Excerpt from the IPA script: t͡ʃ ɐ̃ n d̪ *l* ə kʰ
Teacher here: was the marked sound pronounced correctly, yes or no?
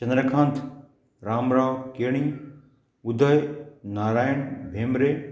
no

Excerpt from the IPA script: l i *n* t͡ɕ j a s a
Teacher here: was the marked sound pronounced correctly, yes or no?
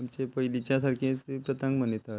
no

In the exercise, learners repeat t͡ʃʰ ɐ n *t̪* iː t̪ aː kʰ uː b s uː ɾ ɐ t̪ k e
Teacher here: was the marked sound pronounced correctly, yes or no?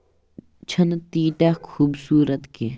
yes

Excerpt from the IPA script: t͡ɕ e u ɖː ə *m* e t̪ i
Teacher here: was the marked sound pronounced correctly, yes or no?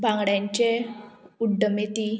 yes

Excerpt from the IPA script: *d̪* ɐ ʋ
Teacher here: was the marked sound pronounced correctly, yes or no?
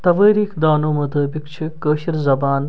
no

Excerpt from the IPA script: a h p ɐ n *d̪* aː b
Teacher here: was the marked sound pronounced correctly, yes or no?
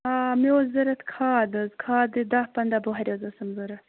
yes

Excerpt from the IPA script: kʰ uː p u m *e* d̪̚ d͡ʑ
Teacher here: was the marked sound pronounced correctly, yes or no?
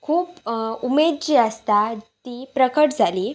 yes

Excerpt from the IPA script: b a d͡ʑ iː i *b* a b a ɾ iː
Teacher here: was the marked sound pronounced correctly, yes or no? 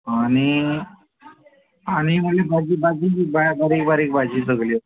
yes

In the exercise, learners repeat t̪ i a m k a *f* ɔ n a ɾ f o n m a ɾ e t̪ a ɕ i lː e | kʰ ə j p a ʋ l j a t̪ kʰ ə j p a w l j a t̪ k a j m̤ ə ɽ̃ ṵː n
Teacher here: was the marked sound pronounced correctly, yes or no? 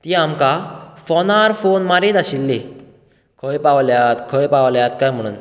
yes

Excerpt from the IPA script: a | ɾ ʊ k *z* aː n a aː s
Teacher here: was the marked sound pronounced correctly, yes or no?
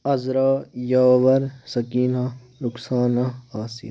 no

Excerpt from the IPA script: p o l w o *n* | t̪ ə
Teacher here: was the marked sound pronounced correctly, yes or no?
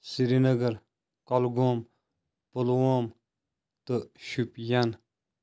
no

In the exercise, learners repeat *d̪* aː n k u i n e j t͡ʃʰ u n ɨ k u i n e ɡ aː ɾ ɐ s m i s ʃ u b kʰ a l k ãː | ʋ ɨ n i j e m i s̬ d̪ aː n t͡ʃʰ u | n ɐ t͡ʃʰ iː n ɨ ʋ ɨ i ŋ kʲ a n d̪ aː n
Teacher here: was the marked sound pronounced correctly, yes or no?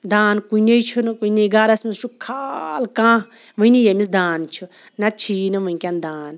yes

